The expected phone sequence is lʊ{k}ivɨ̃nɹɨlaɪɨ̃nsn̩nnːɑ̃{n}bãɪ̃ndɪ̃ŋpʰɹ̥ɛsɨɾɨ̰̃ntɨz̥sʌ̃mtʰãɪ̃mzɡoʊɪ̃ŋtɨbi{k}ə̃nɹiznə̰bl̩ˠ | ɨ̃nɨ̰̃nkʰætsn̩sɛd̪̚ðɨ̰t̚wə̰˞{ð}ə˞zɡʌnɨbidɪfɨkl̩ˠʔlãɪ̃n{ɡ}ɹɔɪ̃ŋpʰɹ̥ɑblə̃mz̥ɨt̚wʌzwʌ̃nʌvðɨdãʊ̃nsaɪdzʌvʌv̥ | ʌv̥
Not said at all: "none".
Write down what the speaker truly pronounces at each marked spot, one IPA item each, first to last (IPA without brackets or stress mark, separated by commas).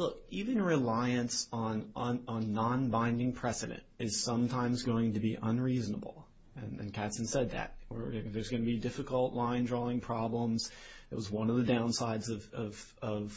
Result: k, n, ʔ, ð, d